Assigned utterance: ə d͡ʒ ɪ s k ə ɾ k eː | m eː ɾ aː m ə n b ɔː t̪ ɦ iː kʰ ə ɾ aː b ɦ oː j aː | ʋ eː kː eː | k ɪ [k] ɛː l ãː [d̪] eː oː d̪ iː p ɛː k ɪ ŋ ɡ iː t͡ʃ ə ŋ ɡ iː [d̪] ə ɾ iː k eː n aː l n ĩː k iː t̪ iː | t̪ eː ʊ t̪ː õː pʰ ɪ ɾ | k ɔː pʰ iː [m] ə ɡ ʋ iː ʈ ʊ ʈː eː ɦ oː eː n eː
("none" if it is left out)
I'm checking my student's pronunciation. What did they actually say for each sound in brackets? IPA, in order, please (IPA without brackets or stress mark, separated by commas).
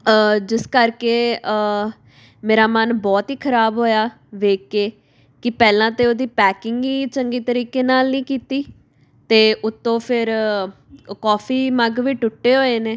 p, t̪, t̪, m